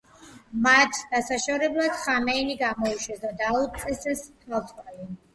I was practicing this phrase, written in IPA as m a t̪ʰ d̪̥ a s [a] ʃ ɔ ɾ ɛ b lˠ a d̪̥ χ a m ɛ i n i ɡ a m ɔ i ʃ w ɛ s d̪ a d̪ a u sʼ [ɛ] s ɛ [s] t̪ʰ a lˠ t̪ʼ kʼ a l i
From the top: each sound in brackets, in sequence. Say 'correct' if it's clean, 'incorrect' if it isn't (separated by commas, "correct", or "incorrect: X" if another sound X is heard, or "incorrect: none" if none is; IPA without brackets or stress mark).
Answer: correct, correct, correct